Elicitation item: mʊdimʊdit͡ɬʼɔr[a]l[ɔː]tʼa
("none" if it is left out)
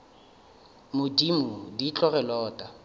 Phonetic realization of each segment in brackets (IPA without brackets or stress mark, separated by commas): ɛ, ɔː